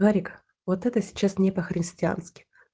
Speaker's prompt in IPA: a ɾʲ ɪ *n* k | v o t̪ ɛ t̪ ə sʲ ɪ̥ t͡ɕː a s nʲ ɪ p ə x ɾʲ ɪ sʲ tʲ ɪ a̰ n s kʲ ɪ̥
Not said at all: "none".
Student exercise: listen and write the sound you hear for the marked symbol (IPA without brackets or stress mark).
none